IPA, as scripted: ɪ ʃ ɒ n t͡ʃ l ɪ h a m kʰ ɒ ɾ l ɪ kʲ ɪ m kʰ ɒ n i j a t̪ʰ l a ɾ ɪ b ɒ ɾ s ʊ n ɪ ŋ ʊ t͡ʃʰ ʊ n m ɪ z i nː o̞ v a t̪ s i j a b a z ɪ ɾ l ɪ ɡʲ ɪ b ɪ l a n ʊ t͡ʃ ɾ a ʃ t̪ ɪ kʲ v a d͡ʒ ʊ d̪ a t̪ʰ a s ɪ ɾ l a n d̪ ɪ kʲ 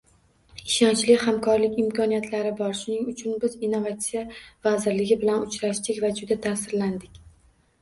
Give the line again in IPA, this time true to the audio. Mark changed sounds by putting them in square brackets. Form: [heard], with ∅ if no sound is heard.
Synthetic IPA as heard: ɪ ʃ ɒ n t͡ʃ l ɪ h a m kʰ ɒ ɾ l ɪ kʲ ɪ m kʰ ɒ n i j a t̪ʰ l a ɾ ɪ b ɒ ɾ [ʃ] ʊ n ɪ ŋ ʊ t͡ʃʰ ʊ n [b] ɪ z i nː o̞ v a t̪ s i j a [v] a z ɪ ɾ l ɪ ɡʲ ɪ b ɪ l a n ʊ t͡ʃ ɾ a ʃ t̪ ɪ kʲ v a d͡ʒ ʊ d̪ a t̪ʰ a s ɪ ɾ l a n d̪ ɪ kʲ